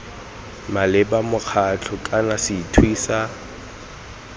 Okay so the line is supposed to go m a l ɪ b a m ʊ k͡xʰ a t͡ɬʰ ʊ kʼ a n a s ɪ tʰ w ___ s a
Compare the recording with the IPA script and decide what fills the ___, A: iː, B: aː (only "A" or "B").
A